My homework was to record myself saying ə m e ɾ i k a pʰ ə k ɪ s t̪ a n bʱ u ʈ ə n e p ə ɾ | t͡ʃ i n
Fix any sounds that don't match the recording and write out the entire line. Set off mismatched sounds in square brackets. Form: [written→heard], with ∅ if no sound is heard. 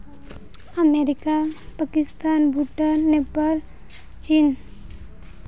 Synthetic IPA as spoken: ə m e ɾ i k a [pʰ→p] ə k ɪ s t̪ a n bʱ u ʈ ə n e p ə [ɾ→l] | t͡ʃ i n